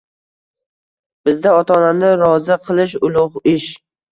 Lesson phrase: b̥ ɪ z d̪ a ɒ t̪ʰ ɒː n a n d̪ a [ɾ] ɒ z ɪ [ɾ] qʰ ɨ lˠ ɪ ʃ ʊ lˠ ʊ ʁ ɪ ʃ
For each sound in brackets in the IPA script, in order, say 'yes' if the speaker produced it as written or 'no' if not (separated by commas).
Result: yes, no